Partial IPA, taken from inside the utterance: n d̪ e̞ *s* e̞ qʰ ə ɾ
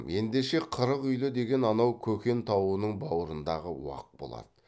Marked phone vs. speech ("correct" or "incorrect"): incorrect